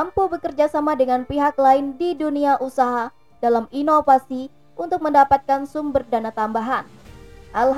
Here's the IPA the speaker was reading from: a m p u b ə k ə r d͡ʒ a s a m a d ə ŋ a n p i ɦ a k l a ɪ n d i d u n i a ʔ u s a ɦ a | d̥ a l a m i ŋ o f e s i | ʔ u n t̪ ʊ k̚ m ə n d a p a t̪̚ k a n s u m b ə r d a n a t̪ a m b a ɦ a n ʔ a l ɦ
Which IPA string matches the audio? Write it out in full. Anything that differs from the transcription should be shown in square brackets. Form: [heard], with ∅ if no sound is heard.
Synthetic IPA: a m p u b ə k ə r d͡ʒ a s a m a d ə ŋ a n p i ɦ a k l a ɪ n d i d u n i a ʔ u s a ɦ a | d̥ a l a m i [n] o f [a] s i | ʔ u n t̪ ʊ k̚ m ə n d a p a t̪̚ k a n s u m b ə r d a n a t̪ a m b a ɦ a n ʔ a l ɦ